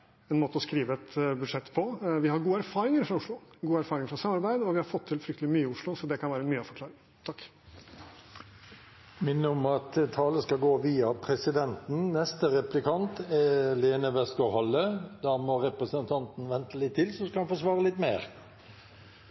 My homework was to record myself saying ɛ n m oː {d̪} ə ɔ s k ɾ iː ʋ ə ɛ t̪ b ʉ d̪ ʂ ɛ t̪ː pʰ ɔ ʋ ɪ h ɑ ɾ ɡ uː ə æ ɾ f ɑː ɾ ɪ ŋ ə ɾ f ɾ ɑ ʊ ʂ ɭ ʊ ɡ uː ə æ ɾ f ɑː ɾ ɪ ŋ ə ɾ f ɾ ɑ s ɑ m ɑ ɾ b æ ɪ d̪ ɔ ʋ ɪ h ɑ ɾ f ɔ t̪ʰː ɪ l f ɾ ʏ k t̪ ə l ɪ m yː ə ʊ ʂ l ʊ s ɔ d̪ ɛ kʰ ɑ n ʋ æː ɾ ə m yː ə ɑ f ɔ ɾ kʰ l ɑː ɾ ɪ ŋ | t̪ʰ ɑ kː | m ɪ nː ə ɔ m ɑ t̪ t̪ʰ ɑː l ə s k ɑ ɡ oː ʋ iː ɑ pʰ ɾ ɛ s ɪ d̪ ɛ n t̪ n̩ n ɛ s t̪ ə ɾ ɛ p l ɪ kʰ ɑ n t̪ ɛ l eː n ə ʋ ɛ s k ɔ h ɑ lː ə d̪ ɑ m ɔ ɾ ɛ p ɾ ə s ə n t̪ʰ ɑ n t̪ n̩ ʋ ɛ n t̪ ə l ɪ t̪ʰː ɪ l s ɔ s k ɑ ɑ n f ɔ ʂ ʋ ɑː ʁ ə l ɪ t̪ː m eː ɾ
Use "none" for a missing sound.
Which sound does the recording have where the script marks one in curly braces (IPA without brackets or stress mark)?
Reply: t̪